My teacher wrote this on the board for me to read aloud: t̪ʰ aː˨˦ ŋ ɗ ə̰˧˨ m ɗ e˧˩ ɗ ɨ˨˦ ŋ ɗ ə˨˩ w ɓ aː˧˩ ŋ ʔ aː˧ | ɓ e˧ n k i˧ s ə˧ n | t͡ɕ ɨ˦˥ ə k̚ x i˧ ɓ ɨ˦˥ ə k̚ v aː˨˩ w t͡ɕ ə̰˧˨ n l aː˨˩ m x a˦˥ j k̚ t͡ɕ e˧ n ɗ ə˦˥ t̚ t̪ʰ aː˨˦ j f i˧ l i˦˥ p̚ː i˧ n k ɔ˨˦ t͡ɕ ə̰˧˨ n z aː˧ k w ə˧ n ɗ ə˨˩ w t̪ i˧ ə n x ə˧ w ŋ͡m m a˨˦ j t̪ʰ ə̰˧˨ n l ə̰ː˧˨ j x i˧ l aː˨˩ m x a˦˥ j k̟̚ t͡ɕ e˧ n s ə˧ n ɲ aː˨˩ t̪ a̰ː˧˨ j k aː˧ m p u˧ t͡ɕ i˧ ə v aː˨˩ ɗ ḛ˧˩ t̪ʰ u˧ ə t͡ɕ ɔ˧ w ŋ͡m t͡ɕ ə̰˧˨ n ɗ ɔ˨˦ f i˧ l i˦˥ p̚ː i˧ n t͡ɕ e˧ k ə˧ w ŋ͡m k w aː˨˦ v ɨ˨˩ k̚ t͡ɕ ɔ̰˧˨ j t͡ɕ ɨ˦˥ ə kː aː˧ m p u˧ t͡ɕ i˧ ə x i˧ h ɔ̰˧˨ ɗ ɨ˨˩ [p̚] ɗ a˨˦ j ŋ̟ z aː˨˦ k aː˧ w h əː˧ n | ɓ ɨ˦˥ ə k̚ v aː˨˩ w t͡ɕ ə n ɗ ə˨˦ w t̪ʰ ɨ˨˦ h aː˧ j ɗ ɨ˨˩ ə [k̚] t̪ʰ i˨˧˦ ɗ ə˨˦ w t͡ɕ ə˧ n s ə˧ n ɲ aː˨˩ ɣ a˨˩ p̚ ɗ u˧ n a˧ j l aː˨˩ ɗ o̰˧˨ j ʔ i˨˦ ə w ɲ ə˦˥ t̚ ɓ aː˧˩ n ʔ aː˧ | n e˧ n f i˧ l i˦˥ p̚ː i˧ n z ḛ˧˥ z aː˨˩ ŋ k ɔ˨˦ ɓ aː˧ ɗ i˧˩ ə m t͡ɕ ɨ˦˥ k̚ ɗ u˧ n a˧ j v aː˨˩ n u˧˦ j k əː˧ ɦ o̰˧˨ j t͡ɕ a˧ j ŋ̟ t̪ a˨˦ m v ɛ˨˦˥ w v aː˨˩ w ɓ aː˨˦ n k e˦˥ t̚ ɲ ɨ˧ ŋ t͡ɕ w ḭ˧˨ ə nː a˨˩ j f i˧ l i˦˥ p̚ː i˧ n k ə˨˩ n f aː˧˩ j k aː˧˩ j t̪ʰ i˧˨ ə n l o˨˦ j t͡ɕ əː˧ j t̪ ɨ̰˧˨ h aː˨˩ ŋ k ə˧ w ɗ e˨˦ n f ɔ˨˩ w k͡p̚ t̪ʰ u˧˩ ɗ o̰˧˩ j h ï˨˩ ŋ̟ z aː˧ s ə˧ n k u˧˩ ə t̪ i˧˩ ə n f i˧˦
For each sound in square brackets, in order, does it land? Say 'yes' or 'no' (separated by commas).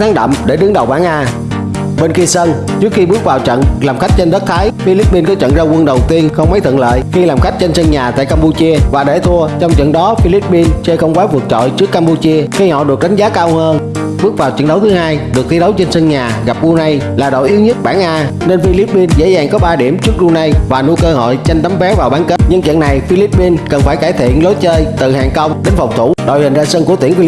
no, yes